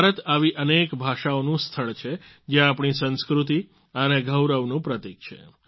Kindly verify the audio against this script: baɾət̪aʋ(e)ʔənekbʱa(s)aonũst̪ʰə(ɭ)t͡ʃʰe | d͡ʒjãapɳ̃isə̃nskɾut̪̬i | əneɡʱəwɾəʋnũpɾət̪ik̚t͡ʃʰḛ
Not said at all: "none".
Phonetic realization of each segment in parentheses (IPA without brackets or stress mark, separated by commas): i, ʃ, ɭ